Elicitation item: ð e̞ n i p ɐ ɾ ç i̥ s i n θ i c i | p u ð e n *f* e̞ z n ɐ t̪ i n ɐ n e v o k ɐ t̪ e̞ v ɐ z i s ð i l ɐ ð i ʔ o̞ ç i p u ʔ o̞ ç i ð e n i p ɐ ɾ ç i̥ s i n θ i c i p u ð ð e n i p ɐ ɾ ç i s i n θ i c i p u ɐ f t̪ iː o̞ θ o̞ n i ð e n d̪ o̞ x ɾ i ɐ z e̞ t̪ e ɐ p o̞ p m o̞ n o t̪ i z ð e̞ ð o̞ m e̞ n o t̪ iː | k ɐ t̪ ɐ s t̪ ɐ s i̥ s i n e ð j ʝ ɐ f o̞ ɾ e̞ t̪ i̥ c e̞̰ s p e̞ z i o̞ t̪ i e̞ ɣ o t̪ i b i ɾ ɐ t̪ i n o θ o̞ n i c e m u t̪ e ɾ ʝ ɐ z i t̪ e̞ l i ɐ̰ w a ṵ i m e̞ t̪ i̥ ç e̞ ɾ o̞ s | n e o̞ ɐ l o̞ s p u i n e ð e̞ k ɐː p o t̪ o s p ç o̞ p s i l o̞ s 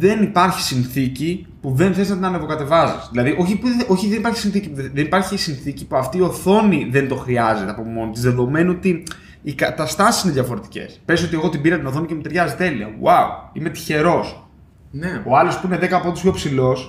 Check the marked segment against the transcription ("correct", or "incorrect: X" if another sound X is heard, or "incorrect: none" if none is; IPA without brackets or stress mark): incorrect: θ